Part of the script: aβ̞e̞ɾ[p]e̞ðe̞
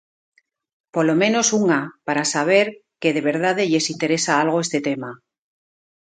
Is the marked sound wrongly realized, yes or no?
yes